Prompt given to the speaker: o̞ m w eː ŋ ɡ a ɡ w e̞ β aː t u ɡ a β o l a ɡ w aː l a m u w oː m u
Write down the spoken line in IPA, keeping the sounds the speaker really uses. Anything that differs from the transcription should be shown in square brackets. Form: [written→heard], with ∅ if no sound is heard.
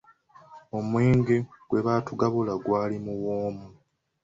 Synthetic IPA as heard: o̞ m w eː ŋ ɡ [a→e] ɡ w e̞ β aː t u ɡ a β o l a ɡ w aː l [a→i] m u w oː m u